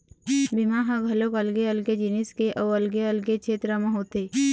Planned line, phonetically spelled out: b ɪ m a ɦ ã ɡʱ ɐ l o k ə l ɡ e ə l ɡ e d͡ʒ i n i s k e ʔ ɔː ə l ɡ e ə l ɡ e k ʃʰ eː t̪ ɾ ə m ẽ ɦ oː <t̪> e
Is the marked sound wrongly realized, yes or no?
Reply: no